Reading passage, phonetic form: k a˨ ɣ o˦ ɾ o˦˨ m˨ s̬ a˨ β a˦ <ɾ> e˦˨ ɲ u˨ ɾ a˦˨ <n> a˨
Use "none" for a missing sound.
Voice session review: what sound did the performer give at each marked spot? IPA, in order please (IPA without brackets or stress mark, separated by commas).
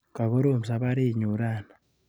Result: ɾ, n